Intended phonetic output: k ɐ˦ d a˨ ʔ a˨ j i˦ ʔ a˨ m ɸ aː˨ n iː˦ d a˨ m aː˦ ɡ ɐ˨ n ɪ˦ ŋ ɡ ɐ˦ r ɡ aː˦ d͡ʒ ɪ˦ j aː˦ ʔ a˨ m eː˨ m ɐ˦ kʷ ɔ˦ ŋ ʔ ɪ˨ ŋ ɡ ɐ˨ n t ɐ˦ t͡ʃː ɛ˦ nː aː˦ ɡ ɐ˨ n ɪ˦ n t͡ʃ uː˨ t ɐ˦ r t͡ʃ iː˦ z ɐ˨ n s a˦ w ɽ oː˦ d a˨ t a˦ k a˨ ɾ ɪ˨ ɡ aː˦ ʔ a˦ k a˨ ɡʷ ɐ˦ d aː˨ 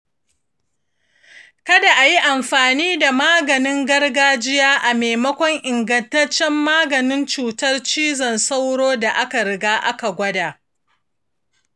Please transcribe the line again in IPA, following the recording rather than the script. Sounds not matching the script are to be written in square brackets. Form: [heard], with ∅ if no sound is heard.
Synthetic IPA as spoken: k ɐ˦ d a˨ ʔ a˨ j i˦ ʔ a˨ m ɸ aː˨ n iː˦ d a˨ m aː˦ ɡ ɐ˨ n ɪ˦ ŋ ɡ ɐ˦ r ɡ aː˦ d͡ʒ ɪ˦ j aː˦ ʔ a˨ m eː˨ m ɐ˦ kʷ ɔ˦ ŋ ʔ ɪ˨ ŋ ɡ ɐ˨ n t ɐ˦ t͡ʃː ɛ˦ [mː] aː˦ ɡ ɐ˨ n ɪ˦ n t͡ʃ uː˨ t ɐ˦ r t͡ʃ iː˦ z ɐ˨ n s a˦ w ɽ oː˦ d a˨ [ʔ] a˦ k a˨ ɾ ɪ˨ ɡ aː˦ ʔ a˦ k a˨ ɡʷ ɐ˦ d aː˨